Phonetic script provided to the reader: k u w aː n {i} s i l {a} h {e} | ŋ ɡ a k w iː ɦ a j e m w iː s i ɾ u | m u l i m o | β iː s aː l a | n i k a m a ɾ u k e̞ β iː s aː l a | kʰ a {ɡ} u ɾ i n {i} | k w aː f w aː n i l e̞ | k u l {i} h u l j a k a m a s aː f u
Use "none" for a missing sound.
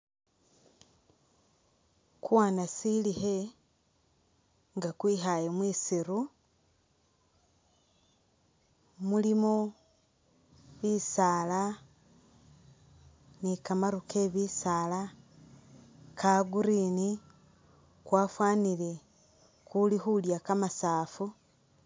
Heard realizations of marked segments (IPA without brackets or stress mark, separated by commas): a, i, e, ɡ, i, i